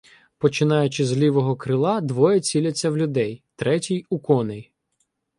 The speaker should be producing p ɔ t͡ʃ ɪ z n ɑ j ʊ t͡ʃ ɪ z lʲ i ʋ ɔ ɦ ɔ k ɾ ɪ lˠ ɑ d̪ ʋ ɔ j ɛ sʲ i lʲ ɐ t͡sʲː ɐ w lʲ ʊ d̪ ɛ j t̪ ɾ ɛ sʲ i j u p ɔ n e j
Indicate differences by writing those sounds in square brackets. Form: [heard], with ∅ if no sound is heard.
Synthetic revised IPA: p ɔ t͡ʃ ɪ [∅] n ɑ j ʊ t͡ʃ ɪ z lʲ i ʋ ɔ ɦ ɔ k ɾ ɪ lˠ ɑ d̪ ʋ ɔ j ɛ [t͡sʲ] i lʲ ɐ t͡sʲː ɐ w lʲ ʊ d̪ ɛ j t̪ ɾ ɛ [tʲ] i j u [k] ɔ n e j